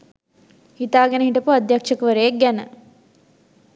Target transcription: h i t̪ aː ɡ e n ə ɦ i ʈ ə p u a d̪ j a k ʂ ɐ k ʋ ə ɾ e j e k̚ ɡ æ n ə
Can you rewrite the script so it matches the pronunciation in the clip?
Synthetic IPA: h i t̪ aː ɡ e n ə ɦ i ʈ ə p u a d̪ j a k ʂ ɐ k ʋ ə ɾ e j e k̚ ɡ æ n ə